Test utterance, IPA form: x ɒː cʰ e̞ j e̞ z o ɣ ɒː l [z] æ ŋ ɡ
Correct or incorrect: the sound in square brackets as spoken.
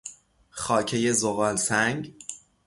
incorrect: s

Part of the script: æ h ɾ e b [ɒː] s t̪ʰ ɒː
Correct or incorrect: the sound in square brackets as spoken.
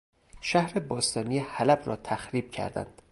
correct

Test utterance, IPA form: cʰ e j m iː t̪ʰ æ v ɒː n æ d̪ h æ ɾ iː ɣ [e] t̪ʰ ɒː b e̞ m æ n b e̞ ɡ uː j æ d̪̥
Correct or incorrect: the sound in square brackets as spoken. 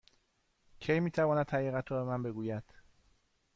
incorrect: æ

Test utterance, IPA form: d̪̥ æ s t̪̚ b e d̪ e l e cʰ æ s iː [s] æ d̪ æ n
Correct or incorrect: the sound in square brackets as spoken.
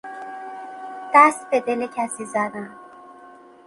incorrect: z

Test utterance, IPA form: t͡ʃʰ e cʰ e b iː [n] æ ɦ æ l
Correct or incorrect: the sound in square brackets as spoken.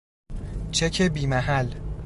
incorrect: m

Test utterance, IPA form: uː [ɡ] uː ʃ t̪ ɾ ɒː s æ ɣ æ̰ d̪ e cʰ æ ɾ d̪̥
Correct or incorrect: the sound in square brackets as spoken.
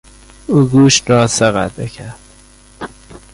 correct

